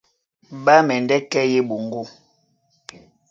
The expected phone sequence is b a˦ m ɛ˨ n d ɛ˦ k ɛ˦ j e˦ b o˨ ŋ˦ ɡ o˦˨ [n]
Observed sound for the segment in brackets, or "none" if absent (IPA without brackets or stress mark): none